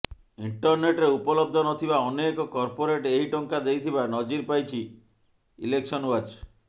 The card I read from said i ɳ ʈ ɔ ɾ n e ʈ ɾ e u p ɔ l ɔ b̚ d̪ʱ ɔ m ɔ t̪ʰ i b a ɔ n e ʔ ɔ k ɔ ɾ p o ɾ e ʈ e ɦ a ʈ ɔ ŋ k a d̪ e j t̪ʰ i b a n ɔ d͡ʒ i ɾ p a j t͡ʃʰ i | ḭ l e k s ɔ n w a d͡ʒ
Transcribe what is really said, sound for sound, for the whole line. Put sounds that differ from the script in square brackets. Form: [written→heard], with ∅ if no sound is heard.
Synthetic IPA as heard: i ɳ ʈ ɔ ɾ n e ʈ ɾ e u p ɔ l ɔ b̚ d̪ʱ ɔ [m→n] ɔ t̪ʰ i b a ɔ n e [ʔ→k] ɔ k ɔ ɾ p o ɾ e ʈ e ɦ [a→i] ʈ ɔ ŋ k a d̪ e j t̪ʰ i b a n ɔ d͡ʒ i ɾ p a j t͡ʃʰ i | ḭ l e k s ɔ n w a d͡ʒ